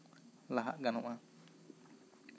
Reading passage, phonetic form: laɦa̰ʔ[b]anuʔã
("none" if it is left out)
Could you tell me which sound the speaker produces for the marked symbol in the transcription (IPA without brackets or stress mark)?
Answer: ɡ